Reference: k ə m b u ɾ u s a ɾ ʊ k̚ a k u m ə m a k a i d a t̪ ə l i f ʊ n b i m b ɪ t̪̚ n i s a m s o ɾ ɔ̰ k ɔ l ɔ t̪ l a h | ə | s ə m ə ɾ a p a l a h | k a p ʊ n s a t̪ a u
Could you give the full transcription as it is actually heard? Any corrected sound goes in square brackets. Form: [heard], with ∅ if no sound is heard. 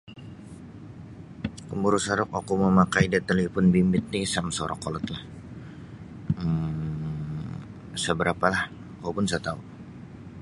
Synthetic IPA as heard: k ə m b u ɾ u s a ɾ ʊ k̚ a k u m ə m a k a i d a t̪ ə l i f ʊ n b i m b ɪ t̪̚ n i s a m s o ɾ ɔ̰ k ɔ l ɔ t̪ l a h | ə | s ə [b] ə ɾ a p a l a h | k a p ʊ n s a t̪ a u

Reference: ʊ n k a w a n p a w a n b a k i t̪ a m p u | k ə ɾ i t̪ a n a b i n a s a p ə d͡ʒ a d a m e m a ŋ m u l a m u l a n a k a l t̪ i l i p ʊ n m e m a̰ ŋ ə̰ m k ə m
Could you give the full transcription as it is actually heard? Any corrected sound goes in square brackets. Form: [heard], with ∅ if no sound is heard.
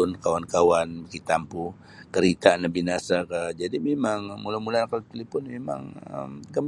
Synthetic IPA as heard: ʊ n k a w a n [k] a w a n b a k i t̪ a m p u | k ə ɾ i t̪ a n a b i n a s a [k] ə d͡ʒ a d [i] m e m a ŋ m u l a m u l a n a k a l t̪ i l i p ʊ n m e m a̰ ŋ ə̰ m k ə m

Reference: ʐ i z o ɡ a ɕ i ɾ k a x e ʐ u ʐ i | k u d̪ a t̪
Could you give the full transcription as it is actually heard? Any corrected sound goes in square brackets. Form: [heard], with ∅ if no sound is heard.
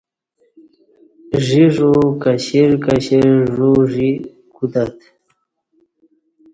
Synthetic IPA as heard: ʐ i [ʐ] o [k] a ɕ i ɾ k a [ɕ] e ʐ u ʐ i | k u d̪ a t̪

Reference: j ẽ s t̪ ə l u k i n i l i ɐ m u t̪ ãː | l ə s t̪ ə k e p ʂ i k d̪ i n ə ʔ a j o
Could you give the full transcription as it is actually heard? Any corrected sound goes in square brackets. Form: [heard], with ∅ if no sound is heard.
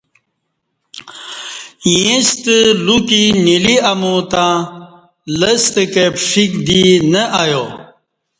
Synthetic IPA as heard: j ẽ s t̪ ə l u k i n i l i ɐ m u t̪ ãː | l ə s t̪ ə k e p ʂ i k d̪ i n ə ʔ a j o

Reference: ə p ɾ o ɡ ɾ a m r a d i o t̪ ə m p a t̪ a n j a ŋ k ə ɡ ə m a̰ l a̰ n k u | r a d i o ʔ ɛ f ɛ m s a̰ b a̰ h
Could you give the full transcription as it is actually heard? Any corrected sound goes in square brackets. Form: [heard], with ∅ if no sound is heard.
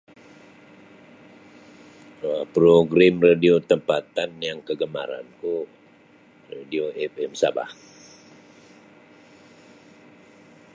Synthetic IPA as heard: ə p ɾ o ɡ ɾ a m r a d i o t̪ ə m p a t̪ a n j a ŋ k ə ɡ ə m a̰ [ɾ] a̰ n k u | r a d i o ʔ ɛ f ɛ m s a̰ b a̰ h

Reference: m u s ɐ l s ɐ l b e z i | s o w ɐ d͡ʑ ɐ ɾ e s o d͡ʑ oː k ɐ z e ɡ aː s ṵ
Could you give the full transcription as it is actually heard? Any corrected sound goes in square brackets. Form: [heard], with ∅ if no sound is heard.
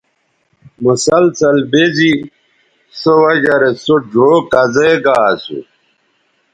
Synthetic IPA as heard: m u s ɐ l s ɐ l b e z i | s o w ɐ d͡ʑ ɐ ɾ e s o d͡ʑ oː k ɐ z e ɡ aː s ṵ

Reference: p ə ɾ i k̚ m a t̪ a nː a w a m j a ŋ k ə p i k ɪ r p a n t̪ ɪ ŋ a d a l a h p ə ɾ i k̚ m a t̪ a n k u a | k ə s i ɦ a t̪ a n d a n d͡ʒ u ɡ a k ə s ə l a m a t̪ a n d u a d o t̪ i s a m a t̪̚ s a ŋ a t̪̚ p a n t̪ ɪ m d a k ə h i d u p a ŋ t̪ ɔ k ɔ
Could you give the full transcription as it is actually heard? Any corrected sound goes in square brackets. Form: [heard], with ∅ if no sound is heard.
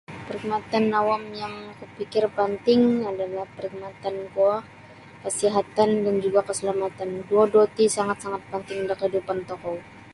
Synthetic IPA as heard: p ə ɾ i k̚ m a t̪ a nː a w a m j a ŋ k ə p i k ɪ r p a n t̪ ɪ ŋ a d a l a h p ə ɾ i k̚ m a t̪ a n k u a | k ə s i ɦ a t̪ a n d a n d͡ʒ u ɡ a k ə s ə l a m a t̪ a n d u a d o t̪ i s a [ŋ] a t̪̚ s a ŋ a t̪̚ p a n t̪ ɪ [ŋ] d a k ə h i d u p a [n] t̪ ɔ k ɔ

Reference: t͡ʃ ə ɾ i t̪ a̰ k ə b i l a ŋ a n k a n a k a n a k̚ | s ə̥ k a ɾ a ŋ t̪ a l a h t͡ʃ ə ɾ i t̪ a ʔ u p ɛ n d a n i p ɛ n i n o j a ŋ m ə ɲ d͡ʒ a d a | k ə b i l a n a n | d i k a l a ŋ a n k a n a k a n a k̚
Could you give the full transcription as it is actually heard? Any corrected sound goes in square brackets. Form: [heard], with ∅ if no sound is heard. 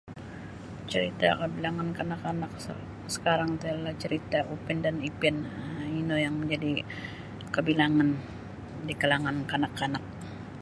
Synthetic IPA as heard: t͡ʃ ə ɾ i t̪ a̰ k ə b i l a ŋ a n k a n a k a n a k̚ | s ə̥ k a ɾ a ŋ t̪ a l a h t͡ʃ ə ɾ i t̪ a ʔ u p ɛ n d a n i p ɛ n i n o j a ŋ m ə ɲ d͡ʒ a d [i] | k ə b i l a [ŋ] a n | d i k a l a ŋ a n k a n a k a n a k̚

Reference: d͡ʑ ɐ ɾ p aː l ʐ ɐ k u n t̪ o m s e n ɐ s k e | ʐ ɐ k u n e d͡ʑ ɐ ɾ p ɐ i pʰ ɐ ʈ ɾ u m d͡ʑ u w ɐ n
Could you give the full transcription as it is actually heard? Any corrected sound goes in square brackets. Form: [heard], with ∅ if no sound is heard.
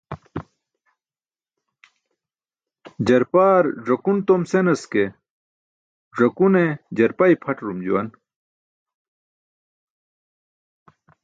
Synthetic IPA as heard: d͡ʑ ɐ ɾ p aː [ɾ] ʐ ɐ k u n t̪ o m s e n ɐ s k e | ʐ ɐ k u n e d͡ʑ ɐ ɾ p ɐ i pʰ ɐ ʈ ɾ u m d͡ʑ u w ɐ n

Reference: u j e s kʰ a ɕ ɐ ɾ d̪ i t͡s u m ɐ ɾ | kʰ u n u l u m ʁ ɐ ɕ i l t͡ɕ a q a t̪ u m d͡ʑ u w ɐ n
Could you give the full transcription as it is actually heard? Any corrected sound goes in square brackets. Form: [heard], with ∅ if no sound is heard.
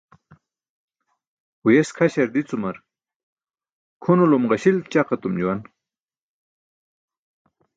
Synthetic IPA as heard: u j e s kʰ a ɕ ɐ ɾ d̪ i t͡s u m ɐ ɾ | kʰ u n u l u m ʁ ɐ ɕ i l t͡ɕ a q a t̪ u m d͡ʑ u w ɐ n

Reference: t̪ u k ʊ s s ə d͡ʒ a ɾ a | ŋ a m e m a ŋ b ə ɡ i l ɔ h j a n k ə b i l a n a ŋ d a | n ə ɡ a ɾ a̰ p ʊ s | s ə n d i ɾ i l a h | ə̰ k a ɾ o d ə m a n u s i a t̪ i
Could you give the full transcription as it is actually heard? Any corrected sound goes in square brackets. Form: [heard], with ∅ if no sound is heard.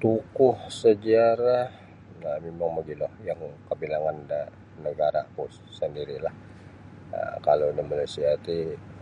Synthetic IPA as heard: t̪ u k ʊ [h] s ə d͡ʒ a ɾ a | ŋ a m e m a ŋ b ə ɡ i l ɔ h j a [ŋ] k ə b i l a [ŋ] a [n] d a | n ə ɡ a ɾ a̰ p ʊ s | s ə n d i ɾ i l a h | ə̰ k a [l] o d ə m a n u s i a t̪ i

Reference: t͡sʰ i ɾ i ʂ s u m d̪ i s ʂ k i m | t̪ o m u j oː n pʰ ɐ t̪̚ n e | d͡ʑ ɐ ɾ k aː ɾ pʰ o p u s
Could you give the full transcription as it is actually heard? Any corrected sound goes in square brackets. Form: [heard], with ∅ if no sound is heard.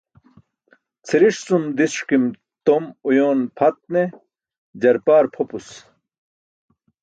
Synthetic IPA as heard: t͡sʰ i ɾ i ʂ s u m d̪ i s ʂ k i m | t̪ o m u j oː n pʰ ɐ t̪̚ n e | d͡ʑ ɐ ɾ [p] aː ɾ pʰ o p u s

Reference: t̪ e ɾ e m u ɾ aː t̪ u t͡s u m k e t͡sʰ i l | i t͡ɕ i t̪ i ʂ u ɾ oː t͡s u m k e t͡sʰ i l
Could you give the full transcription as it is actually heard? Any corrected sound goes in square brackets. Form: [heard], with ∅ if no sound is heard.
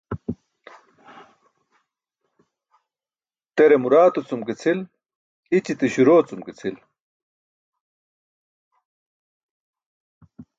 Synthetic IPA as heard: t̪ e ɾ e m u ɾ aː t̪ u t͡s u m k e t͡sʰ i l | i t͡ɕ i t̪ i [ɕ] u ɾ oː t͡s u m k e t͡sʰ i l

